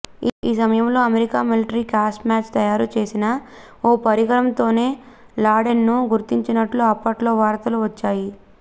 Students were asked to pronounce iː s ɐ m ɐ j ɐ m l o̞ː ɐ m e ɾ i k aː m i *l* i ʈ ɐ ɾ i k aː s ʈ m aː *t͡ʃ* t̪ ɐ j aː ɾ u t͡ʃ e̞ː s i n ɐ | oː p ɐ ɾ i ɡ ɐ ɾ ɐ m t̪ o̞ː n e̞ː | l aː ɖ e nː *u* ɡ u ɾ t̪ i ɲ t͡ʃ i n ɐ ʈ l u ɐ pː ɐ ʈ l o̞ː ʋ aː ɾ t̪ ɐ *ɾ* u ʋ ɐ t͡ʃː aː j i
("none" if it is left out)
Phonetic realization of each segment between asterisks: l, t͡ʃ, u, l

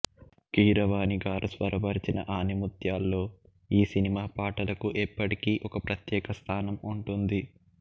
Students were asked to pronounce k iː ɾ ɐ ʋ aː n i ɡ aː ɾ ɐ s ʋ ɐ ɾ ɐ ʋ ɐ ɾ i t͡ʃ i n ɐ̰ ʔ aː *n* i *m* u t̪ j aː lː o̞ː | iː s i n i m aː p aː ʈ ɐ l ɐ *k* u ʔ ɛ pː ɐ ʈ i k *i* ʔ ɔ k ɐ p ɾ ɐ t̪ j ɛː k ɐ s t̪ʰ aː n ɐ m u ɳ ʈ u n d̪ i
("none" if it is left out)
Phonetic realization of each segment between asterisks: n, m, k, iː

